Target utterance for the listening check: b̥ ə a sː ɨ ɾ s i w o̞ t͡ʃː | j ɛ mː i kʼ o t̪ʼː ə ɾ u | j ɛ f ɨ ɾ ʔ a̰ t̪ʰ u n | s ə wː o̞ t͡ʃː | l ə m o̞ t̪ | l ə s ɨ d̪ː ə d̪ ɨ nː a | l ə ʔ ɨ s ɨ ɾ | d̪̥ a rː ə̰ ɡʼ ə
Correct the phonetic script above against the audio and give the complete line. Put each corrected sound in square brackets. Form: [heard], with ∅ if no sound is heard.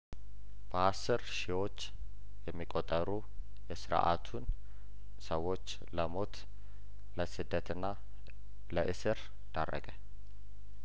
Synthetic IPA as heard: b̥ ə a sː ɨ ɾ [ʃ] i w o̞ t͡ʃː | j ɛ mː i kʼ o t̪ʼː ə ɾ u | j ɛ [s] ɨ ɾ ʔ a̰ t̪ʰ u n | s ə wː o̞ t͡ʃː | l ə m o̞ t̪ | l ə s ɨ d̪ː ə [t̪] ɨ nː a | l ə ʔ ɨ s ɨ ɾ | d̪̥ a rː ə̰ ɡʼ ə

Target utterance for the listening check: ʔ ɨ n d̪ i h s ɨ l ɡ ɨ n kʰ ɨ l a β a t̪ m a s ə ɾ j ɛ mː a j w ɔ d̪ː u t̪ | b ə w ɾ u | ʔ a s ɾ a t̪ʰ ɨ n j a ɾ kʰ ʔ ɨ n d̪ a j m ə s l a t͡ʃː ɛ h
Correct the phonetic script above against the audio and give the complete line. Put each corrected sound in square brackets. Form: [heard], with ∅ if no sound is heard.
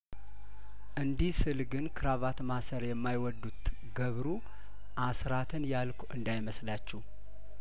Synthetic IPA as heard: ʔ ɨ n d̪ i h s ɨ l ɡ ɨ n kʰ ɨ [ɾ] a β a t̪ m a s ə ɾ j ɛ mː a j w ɔ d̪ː u t̪ | [ɡ] ə [β] ɾ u | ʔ a s ɾ a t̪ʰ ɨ n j a [l] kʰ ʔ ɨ n d̪ a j m ə s l a t͡ʃː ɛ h

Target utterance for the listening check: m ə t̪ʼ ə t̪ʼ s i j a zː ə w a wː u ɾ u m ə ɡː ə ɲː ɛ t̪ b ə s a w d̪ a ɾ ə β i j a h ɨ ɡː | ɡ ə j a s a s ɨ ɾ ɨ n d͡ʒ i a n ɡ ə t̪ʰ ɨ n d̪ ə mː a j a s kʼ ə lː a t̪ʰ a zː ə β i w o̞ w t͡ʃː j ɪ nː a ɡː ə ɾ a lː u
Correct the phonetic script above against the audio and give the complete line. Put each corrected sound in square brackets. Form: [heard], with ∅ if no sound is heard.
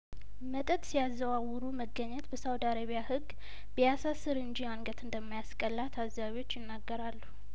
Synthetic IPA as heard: m ə t̪ʼ ə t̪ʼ s i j a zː ə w a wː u ɾ u m ə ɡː ə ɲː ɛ t̪ b ə s a w d̪ a ɾ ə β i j a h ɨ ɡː | [b] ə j a s a s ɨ ɾ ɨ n d͡ʒ i a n ɡ ə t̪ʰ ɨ n d̪ ə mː a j a s kʼ ə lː a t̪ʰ a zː [a] β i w o̞ [∅] t͡ʃː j ɪ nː a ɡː ə ɾ a lː u

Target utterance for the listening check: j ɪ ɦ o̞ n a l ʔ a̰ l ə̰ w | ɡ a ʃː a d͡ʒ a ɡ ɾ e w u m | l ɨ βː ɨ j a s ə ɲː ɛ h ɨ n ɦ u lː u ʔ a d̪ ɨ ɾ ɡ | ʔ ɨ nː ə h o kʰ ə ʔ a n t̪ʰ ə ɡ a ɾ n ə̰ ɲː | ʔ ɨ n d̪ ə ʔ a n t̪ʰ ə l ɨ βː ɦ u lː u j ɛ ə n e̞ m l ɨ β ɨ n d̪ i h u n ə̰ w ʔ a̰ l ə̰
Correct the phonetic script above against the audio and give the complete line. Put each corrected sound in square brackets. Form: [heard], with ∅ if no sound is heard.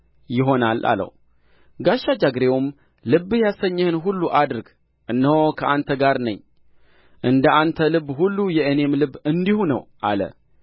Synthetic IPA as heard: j ɪ ɦ o̞ n a l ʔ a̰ l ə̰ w | ɡ a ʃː a d͡ʒ a ɡ ɾ e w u m | l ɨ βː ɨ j a s ə ɲː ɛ h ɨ n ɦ u lː u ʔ a d̪ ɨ ɾ ɡ | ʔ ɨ nː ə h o kʰ ə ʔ a n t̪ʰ ə ɡ a ɾ n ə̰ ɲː | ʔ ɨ n d̪ ə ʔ a n t̪ʰ ə l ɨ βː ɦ u lː u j ɛ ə n e̞ m l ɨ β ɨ n d̪ i h u n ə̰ w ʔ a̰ l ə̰

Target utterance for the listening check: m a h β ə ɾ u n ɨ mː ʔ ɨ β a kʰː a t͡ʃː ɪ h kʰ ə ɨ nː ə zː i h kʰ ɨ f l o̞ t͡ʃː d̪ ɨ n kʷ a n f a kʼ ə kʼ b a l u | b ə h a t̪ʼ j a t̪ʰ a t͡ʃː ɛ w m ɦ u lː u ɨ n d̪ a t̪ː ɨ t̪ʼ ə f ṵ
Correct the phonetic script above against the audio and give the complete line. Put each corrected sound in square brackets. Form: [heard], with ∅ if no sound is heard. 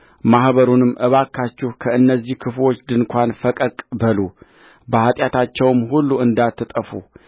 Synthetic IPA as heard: m a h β ə ɾ u n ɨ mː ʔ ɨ β a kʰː a t͡ʃː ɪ h kʰ ə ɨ nː ə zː i h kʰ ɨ f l o̞ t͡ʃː d̪ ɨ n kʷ a n f [ə] kʼ ə kʼ b [ə] l u | b ə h a t̪ʼ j a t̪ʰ a t͡ʃː ɛ w m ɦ u lː u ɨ n d̪ a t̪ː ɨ t̪ʼ ə f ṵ

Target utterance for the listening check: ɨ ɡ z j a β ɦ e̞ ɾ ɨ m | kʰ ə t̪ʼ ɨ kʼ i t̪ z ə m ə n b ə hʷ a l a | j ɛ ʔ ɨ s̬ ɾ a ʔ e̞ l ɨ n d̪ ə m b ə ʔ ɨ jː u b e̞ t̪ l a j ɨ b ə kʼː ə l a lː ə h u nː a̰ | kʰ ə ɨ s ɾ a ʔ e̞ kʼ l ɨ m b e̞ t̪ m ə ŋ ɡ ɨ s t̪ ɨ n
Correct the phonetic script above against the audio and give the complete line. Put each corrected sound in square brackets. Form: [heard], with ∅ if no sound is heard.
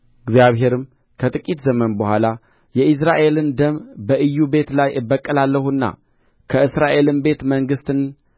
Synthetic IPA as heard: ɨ ɡ z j a β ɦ e̞ ɾ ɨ m | kʰ ə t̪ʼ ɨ kʼ i t̪ z ə m ə n b ə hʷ a l a | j ɛ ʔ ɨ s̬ ɾ a ʔ e̞ l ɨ n d̪ ə m b ə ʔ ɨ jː u b e̞ t̪ l a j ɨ b ə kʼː ə l a lː ə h u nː a̰ | kʰ ə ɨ s ɾ a ʔ e̞ [∅] l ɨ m b e̞ t̪ m ə ŋ ɡ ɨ s t̪ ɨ n

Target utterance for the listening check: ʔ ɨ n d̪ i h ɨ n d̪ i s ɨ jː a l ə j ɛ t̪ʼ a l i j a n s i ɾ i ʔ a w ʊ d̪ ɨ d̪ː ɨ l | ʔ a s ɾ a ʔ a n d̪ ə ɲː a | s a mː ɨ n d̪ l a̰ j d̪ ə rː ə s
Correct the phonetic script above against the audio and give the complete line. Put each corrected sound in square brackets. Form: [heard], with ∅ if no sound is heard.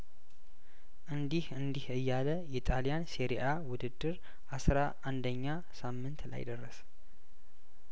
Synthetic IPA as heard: ʔ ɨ n d̪ i h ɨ n d̪ i [h] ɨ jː a l ə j ɛ t̪ʼ a l i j a n s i ɾ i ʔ a w ʊ d̪ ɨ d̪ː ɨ [ɾ] | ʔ a s ɾ a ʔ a n d̪ ə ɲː a | s a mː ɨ n [t̪] l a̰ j d̪ ə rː ə s

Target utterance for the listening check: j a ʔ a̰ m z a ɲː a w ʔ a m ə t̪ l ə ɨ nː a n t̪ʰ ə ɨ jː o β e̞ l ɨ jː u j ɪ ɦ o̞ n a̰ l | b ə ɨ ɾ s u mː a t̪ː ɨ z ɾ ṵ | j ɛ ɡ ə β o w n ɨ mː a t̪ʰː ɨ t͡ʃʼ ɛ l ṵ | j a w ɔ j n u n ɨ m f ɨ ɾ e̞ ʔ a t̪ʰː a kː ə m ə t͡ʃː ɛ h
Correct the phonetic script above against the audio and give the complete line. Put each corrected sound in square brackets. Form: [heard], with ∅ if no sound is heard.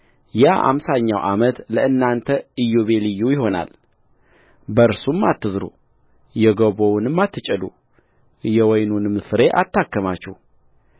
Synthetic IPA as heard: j a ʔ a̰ m [s] a ɲː a w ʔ a m ə t̪ l ə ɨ nː a n t̪ʰ ə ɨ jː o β e̞ l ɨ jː u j ɪ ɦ o̞ n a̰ l | b ə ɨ ɾ s u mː a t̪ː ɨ z ɾ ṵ | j ɛ ɡ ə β o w n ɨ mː a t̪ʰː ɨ t͡ʃʼ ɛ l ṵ | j [ɛ] w ɔ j n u n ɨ m [s] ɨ ɾ e̞ ʔ a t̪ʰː a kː ə m [a] t͡ʃː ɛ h

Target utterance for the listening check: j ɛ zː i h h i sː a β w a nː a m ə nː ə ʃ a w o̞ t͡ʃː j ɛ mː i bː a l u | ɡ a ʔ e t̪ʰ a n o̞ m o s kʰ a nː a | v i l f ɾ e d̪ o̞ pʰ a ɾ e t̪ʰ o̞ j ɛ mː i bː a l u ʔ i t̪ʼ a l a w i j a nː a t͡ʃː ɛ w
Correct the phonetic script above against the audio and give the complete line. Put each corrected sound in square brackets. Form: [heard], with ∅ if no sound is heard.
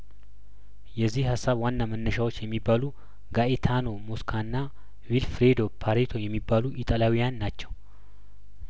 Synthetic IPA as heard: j ɛ zː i h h [a] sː a β w a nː a m ə nː ə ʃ a w o̞ t͡ʃː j ɛ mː i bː a l u | ɡ a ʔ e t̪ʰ a n o̞ m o s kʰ a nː a | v i l f ɾ e d̪ o̞ pʰ a ɾ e t̪ʰ o̞ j ɛ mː i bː a l u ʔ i t̪ʼ a l a w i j a nː a t͡ʃː ɛ w

